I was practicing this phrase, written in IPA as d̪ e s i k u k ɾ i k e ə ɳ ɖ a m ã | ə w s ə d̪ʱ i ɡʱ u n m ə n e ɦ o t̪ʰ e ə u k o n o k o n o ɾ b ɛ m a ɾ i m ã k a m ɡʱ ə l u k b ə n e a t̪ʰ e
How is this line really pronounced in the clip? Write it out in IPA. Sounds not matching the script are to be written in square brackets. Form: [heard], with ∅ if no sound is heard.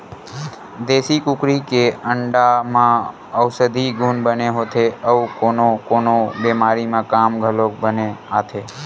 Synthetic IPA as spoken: d̪ e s i k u k ɾ i k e ə ɳ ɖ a m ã | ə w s ə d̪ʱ i ɡʱ u n [b] ə n e ɦ o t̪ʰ e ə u k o n o k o n o [∅] b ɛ m a ɾ i m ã k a m ɡʱ ə l [o] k b ə n e a t̪ʰ e

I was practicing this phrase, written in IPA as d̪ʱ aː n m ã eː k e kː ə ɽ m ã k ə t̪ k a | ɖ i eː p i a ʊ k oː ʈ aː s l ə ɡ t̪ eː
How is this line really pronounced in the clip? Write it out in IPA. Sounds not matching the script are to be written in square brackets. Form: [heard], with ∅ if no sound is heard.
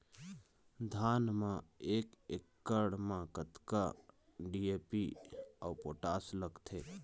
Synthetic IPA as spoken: d̪ʱ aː n m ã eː k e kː ə ɽ m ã k ə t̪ k a | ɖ i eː p i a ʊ [p] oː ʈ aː s l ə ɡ [t̪ʰ] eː

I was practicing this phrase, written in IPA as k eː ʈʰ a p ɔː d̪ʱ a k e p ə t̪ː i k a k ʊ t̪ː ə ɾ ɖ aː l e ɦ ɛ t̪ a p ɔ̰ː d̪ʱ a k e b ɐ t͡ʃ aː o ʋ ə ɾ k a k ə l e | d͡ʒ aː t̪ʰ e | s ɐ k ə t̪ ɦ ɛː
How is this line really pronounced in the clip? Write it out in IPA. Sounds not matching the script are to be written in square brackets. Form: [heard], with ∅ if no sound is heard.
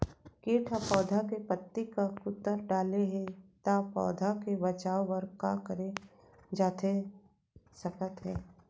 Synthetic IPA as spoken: k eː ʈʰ a p ɔː d̪ʱ a k e p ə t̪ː i k a k ʊ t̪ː ə ɾ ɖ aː l e ɦ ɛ t̪ a p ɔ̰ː d̪ʱ a k e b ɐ t͡ʃ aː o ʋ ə ɾ k a k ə [ɾ] e | d͡ʒ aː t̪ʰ e | s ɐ k ə t̪ ɦ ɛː

